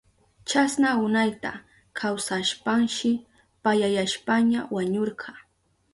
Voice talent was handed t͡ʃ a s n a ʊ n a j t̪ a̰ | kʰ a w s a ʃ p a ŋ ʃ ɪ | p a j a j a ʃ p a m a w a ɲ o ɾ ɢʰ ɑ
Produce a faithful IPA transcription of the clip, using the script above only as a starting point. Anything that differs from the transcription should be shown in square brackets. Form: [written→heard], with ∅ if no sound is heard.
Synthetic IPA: t͡ʃ a s n a ʊ n a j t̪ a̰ | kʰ a w s a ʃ p a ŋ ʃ ɪ | p a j a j a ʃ p a [m→ɲ] a w a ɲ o ɾ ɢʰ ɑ